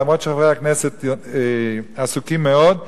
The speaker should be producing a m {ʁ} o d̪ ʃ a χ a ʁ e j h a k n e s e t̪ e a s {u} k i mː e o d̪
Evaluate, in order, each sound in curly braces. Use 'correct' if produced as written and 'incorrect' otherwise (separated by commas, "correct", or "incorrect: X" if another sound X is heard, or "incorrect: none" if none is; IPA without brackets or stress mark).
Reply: correct, correct